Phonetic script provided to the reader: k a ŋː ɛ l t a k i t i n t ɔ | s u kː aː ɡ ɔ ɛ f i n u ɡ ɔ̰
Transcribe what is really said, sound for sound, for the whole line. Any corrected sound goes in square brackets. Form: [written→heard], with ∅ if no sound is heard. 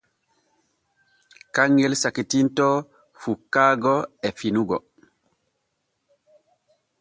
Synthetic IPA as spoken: k a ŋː ɛ l [t→s] a k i t i n t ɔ | [s→f] u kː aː ɡ ɔ ɛ f i n u ɡ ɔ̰